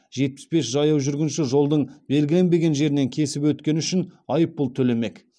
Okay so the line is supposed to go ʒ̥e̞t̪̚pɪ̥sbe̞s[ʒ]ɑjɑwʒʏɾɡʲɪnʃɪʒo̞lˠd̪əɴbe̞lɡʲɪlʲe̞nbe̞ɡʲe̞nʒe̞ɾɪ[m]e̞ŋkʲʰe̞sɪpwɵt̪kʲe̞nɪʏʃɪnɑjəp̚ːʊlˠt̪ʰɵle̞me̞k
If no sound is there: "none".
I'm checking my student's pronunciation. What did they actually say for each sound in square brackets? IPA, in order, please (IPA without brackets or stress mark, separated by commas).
ʒ, n